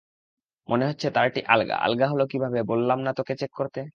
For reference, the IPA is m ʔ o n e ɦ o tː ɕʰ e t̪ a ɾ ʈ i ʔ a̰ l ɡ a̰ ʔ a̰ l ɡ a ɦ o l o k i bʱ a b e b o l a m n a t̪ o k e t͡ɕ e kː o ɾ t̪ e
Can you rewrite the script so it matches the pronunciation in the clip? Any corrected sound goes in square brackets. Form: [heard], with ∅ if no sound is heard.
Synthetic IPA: m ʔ o n e ɦ o tː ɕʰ e t̪ a ɾ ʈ i ʔ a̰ l ɡ a̰ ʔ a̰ l ɡ a ɦ o l o k i bʱ a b e b o [lː] a m n a t̪ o k e t͡ɕ e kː o ɾ t̪ e